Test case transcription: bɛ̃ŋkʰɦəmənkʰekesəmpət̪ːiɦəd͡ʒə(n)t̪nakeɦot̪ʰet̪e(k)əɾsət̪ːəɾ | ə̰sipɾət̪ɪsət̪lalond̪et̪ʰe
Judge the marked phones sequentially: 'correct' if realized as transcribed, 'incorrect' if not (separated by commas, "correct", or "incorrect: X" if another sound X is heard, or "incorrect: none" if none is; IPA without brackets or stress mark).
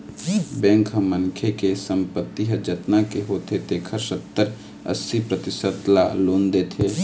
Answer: incorrect: none, incorrect: kʰ